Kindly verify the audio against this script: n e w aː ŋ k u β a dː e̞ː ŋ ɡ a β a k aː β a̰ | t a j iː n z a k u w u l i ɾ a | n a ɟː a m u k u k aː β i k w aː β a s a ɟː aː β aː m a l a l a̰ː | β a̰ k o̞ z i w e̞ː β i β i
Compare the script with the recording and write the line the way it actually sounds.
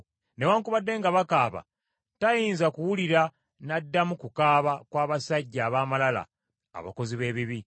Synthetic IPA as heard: n e w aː ŋ k u β a dː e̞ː ŋ ɡ a β a k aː β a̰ | t a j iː n z a k u w u l i ɾ a | n a dː a m u k u k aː β a k w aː β a s a ɟː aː β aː m a l a l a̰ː | β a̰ k o̞ z i β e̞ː β i β i